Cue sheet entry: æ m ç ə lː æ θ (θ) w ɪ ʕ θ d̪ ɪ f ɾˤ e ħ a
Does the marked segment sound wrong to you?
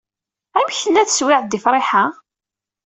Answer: yes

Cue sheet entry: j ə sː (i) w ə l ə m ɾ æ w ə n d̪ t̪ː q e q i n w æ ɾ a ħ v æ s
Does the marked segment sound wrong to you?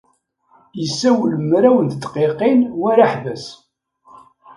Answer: yes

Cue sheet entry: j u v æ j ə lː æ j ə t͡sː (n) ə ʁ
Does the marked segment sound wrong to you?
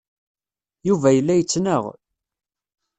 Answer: no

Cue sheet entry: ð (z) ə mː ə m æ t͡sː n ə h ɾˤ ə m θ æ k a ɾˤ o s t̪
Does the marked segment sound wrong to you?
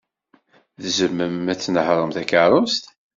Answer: no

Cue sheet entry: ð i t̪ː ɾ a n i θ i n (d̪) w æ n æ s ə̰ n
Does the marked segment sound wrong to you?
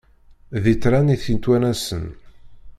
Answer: yes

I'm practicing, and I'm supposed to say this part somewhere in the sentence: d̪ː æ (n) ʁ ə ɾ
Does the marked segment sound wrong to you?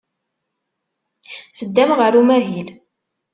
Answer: yes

